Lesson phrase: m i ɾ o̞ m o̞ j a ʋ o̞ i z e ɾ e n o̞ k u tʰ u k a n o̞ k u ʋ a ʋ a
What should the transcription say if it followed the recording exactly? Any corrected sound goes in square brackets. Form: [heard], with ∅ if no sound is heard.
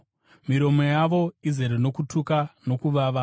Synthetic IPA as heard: m i ɾ o̞ m o̞ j a ʋ o̞ i z e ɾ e n o̞ k u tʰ u k a n o̞ k u ʋ a ʋ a